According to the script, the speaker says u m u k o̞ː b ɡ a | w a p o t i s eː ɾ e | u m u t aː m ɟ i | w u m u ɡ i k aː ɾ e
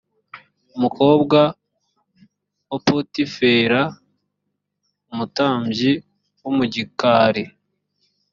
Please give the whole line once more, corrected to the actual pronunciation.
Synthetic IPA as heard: u m u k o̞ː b ɡ a | w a p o t i f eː ɾ a | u m u t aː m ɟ i | w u m u ɟ i k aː ɾ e